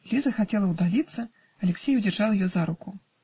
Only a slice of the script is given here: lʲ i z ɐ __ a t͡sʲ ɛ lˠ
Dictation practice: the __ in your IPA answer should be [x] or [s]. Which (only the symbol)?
x